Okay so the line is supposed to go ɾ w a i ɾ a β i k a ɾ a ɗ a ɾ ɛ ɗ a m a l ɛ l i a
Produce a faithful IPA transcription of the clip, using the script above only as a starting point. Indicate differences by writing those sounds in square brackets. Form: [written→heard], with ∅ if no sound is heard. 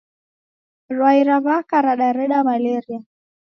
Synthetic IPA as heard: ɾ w a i ɾ a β [i→a] k a ɾ a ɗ a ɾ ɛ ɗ a m a l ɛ [l→ɾ] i a